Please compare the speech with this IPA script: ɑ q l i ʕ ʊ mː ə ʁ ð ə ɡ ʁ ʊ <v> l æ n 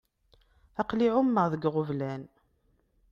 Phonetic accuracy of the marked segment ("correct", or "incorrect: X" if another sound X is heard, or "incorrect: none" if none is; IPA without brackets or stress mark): correct